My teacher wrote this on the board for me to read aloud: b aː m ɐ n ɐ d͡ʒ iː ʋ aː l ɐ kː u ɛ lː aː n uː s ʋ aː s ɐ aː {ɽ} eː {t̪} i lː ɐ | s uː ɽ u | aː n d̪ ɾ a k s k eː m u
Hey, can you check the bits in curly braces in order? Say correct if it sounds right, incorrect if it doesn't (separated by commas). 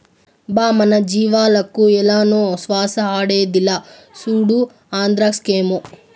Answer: correct, incorrect